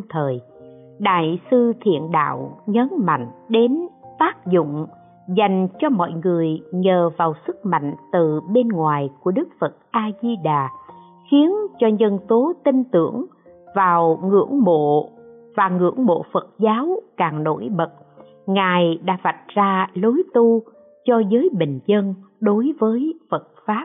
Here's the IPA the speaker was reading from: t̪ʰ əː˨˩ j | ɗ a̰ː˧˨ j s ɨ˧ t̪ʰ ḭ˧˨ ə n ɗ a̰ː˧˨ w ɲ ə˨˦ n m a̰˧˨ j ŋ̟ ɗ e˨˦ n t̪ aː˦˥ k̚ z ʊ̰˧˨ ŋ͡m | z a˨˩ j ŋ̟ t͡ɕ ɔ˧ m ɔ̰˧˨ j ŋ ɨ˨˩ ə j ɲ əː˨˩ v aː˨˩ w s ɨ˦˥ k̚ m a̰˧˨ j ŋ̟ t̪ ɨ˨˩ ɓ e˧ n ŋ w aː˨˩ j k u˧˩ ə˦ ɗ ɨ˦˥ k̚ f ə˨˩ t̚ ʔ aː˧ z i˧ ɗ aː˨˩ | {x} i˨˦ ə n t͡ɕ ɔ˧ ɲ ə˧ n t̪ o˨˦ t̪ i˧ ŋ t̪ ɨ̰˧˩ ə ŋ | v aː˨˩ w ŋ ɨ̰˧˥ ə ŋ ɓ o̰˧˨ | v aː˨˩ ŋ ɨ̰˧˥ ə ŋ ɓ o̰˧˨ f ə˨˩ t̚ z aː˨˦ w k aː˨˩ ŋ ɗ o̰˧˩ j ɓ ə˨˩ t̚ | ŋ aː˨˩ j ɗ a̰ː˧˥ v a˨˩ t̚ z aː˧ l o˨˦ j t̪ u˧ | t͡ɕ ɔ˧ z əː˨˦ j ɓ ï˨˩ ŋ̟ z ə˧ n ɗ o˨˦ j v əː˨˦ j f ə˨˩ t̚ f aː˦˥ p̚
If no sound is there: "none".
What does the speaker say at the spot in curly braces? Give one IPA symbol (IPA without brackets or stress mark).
x